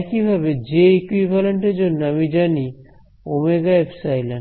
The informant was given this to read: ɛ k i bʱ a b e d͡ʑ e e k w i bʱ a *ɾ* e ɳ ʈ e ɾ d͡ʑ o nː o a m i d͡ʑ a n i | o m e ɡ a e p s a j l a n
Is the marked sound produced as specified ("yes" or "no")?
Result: no